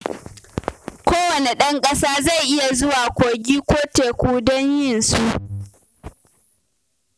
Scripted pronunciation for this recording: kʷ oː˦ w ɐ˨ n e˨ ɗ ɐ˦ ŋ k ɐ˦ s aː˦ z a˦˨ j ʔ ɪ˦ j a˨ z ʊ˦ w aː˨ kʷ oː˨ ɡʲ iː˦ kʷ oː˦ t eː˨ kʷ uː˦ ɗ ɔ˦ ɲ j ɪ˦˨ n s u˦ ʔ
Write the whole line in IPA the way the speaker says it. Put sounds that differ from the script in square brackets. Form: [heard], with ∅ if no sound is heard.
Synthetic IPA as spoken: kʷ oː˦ w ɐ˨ n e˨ ɗ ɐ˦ ŋ [kʼ] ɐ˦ s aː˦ z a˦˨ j ʔ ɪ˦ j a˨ z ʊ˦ w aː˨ kʷ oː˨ ɡʲ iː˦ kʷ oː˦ t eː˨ kʷ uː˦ [d] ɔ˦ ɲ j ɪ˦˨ n s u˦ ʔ